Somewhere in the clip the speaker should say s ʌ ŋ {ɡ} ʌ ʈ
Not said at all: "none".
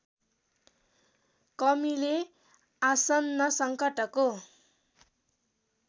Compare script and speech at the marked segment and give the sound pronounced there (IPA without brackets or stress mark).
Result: k